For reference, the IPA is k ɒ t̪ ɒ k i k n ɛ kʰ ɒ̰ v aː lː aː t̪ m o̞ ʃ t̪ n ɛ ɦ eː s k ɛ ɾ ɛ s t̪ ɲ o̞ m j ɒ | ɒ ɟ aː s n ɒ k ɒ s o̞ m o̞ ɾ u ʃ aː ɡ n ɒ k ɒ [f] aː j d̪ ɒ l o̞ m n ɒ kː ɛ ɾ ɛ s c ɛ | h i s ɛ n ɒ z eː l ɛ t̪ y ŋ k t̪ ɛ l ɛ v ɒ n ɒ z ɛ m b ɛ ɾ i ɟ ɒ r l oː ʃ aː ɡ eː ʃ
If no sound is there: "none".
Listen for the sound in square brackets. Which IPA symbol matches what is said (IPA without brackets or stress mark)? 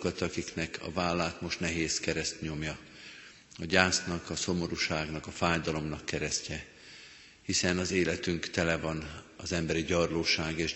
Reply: f